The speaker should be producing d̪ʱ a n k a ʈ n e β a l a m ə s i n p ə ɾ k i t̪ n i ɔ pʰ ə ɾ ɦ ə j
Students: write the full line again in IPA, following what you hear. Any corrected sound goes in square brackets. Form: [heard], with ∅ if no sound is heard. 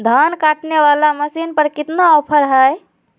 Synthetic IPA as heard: d̪ʱ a n k a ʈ n e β a l a m ə s i n p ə ɾ k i t̪ n [a] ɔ pʰ ə ɾ ɦ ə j